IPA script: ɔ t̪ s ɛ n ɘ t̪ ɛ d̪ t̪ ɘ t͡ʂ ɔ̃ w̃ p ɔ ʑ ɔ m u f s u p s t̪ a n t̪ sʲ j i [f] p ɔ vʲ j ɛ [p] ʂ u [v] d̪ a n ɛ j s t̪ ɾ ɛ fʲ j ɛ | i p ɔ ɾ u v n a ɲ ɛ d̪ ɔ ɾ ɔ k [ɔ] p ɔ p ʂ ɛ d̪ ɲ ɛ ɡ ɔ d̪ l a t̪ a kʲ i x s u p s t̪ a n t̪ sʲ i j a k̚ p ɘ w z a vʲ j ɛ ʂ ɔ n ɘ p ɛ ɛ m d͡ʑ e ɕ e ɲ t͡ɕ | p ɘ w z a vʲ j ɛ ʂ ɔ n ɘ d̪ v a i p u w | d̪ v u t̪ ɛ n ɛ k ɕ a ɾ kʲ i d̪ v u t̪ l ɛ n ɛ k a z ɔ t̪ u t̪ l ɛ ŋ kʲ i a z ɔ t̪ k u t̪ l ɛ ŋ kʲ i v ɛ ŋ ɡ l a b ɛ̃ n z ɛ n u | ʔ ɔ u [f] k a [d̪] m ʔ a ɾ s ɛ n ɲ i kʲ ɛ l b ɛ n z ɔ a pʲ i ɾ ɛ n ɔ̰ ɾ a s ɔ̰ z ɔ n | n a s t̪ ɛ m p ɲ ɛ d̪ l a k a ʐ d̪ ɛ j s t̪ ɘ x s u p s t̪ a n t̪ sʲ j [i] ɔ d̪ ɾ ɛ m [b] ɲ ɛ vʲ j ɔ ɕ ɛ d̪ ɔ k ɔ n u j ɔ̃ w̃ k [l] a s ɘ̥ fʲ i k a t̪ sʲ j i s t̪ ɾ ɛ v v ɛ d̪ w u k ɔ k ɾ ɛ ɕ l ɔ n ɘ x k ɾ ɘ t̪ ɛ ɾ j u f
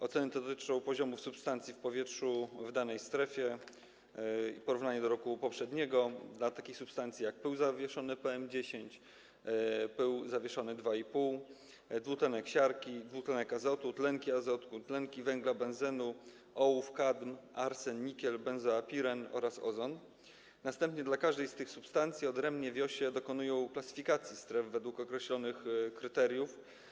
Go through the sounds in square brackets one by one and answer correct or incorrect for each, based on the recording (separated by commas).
correct, incorrect, correct, incorrect, correct, correct, correct, correct, correct